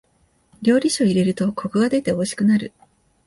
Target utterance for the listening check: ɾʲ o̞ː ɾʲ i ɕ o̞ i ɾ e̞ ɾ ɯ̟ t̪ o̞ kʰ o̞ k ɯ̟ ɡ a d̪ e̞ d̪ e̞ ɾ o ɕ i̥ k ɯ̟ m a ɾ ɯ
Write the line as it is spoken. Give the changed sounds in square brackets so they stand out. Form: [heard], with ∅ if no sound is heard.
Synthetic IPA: ɾʲ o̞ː ɾʲ i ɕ o̞ i ɾ e̞ ɾ ɯ̟ t̪ o̞ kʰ o̞ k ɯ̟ ɡ a d̪ e̞ [t̪] e̞ [∅] o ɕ i̥ k ɯ̟ [n] a ɾ ɯ